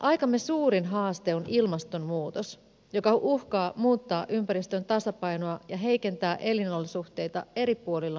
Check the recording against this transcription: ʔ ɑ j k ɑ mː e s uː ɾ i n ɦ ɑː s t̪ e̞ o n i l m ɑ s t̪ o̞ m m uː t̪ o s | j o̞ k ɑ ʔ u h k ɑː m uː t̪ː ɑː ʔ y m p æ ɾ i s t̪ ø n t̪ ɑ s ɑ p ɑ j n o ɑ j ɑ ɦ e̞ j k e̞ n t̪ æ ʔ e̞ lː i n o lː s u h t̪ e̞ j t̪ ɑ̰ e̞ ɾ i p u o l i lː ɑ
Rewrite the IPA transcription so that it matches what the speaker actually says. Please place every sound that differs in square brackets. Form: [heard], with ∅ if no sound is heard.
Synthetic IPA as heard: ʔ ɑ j k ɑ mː e s uː ɾ i n ɦ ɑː s t̪ e̞ o n i l m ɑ s t̪ o̞ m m uː t̪ o s | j o̞ k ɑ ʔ u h k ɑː m uː t̪ː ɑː ʔ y m p æ ɾ i s t̪ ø n t̪ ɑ s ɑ p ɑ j n o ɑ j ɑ ɦ e̞ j k e̞ n t̪ [æː] ʔ e̞ [l] i n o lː s u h t̪ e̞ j t̪ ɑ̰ e̞ ɾ i p u o l i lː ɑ